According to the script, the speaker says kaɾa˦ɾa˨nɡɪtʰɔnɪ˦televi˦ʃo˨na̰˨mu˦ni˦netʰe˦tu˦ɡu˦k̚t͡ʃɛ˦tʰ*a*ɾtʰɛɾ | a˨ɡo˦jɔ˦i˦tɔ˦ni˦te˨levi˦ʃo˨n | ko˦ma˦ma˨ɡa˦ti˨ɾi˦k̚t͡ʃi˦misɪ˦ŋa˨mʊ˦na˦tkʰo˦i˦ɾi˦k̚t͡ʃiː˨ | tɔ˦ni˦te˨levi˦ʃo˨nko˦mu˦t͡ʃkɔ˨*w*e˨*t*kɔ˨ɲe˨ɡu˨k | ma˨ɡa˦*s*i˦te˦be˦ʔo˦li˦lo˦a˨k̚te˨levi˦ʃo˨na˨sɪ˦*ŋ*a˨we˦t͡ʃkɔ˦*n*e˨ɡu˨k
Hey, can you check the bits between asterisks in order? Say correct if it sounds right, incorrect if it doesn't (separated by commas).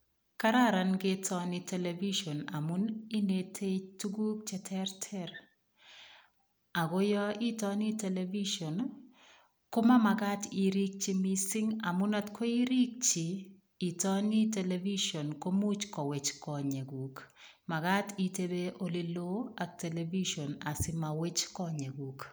incorrect, correct, incorrect, incorrect, incorrect, incorrect